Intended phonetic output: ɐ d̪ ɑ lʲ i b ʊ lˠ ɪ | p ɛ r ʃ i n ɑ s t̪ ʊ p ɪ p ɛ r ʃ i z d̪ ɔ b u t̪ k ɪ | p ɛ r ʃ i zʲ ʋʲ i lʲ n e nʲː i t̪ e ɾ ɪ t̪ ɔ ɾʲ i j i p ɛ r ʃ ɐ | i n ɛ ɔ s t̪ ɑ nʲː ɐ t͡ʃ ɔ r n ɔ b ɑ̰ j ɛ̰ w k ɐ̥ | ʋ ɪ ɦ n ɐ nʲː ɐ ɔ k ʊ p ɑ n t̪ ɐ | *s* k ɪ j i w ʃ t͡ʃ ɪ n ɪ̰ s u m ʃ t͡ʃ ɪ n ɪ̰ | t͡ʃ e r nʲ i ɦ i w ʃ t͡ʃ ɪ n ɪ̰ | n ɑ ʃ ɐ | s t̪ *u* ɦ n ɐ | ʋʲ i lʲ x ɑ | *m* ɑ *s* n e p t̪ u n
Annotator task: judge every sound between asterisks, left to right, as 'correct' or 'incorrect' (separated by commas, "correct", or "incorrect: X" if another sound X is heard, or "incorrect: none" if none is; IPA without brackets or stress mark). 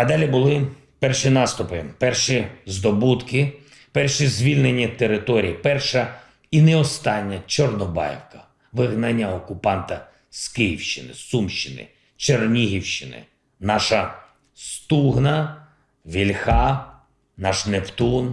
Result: correct, correct, incorrect: n, incorrect: ʃ